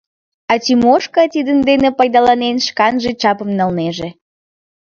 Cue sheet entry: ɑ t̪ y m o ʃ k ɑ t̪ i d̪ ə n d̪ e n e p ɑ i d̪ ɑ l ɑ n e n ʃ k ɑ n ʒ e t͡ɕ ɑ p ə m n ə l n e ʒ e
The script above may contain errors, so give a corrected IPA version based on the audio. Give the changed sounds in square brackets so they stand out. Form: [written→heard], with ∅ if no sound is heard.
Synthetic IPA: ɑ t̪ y m o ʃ k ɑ t̪ i d̪ ə n d̪ e n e p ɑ [i→j] d̪ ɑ l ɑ n e n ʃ k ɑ n ʒ e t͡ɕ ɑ p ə m n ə l n e ʒ e